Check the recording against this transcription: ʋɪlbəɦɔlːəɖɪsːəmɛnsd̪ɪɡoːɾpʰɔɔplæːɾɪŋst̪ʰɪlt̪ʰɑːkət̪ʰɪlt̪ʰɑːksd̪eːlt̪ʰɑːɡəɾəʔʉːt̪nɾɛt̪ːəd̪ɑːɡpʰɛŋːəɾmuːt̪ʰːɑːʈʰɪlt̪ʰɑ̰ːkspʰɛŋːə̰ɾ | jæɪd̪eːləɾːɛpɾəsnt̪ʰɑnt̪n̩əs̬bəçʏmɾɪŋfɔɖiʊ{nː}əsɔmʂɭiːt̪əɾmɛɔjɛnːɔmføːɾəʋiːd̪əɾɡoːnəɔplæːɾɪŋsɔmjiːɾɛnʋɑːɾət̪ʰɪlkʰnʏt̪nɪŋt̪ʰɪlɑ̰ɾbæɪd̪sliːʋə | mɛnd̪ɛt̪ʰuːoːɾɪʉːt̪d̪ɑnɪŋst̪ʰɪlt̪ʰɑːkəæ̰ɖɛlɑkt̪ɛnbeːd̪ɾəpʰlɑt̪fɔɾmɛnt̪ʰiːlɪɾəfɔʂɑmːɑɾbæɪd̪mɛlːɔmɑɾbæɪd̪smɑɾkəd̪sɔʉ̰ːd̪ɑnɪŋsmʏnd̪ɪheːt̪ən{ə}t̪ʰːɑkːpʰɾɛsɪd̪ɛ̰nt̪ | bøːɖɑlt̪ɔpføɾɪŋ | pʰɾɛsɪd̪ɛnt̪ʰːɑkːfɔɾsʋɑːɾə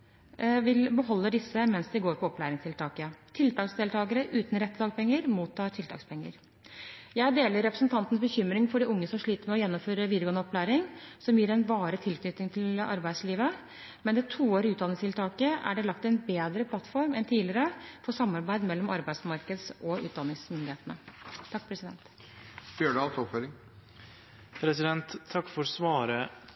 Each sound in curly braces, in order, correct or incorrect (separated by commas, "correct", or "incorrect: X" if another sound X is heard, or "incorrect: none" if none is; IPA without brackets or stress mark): incorrect: ŋː, correct